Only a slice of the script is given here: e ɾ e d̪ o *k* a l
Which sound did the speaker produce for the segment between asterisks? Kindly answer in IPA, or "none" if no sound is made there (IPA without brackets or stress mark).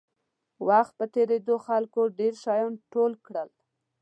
x